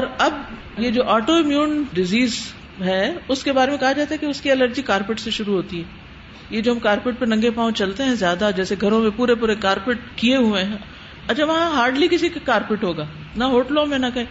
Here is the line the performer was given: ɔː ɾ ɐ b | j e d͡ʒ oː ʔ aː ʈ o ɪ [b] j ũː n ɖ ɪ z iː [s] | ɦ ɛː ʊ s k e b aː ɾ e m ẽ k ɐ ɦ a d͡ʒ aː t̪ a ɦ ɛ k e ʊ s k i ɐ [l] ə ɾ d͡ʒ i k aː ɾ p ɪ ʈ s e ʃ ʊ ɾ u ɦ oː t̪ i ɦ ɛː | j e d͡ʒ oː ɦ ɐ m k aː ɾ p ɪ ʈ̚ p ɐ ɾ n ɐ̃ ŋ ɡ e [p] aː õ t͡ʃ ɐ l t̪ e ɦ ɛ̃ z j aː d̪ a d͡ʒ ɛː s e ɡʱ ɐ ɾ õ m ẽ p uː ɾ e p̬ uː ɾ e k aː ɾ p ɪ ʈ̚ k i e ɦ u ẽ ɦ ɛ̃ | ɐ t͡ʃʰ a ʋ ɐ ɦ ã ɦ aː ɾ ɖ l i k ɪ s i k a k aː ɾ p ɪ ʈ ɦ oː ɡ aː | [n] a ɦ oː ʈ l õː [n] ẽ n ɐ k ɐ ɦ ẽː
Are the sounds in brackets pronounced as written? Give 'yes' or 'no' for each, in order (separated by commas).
no, no, yes, yes, yes, no